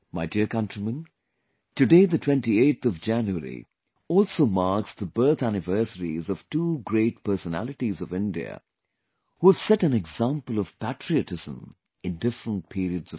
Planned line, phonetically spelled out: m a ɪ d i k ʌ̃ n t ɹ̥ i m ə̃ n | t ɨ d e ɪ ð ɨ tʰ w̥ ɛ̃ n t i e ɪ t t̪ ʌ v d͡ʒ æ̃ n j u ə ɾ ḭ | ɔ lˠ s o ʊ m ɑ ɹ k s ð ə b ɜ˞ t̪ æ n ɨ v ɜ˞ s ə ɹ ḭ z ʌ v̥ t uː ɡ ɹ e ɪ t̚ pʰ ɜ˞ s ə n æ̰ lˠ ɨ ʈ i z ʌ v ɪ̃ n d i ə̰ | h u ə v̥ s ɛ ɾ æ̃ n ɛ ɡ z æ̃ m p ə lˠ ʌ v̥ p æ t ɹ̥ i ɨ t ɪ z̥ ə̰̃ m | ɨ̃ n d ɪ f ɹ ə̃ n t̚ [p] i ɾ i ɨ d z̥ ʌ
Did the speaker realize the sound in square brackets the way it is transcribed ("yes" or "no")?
no